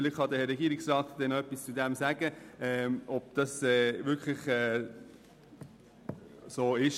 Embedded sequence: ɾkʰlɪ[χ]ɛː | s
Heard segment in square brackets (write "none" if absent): χ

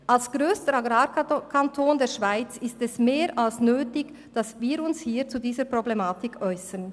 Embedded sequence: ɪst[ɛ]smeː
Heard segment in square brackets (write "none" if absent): ɛ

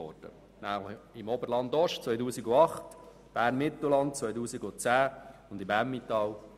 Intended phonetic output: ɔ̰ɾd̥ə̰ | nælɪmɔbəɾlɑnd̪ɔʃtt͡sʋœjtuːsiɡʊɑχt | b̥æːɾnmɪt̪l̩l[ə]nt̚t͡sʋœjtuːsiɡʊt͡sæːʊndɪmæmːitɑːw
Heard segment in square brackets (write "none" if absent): ɑ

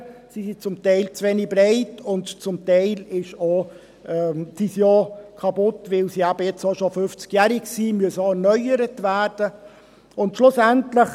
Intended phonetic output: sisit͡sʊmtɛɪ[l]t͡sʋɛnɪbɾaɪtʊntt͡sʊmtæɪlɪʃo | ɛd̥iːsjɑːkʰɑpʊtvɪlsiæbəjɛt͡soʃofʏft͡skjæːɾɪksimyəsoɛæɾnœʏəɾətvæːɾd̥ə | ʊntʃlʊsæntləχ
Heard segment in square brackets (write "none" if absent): l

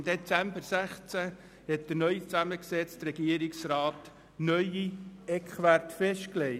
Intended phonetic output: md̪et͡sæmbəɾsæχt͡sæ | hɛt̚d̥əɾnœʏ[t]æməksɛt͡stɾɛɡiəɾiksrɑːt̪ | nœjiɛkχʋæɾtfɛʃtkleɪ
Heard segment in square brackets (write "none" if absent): t͡s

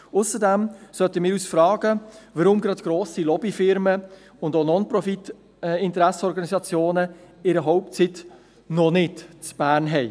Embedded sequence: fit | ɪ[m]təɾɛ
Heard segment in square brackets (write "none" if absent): n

